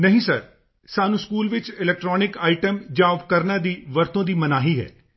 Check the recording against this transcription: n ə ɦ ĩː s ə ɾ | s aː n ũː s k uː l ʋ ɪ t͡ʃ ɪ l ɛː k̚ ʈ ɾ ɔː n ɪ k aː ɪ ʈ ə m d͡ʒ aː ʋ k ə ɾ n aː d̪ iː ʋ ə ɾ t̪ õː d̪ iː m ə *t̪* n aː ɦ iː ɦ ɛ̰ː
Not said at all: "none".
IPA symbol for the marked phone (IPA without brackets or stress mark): none